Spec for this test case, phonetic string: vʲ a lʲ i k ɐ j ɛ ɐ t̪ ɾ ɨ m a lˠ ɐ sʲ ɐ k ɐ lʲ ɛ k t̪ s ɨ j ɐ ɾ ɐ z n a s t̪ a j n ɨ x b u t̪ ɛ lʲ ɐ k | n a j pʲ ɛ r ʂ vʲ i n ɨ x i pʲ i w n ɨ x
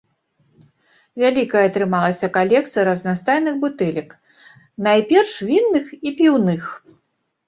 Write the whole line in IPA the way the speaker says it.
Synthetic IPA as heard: vʲ a lʲ i k ɐ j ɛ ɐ t̪ ɾ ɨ m a lˠ ɐ sʲ ɐ k a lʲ ɛ k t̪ s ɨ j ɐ ɾ ɐ z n a s t̪ a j n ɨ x b u t̪ ɛ lʲ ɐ k | n a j pʲ ɛ r ʂ vʲ i nː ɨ x i pʲ i w n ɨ x